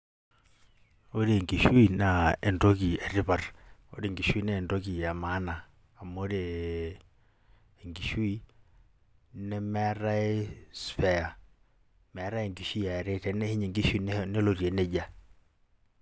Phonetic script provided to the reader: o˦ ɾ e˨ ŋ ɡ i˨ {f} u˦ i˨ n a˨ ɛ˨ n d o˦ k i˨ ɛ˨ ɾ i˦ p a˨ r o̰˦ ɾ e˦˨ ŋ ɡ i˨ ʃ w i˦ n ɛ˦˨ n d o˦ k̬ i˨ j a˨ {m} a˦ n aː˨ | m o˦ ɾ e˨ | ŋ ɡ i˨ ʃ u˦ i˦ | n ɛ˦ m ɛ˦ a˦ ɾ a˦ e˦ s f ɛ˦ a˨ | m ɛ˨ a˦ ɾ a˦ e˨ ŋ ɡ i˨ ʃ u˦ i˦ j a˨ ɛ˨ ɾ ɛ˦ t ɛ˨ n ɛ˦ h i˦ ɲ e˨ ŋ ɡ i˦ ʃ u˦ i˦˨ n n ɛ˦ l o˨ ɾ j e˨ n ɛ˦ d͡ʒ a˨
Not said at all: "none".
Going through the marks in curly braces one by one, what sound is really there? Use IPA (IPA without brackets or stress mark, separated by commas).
ʃ, m